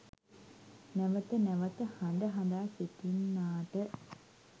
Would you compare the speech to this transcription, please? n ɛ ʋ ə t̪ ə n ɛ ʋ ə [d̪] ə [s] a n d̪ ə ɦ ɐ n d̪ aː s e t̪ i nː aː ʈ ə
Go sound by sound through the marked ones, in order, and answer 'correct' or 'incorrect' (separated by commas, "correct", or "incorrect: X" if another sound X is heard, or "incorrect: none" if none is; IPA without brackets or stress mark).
incorrect: t̪, incorrect: h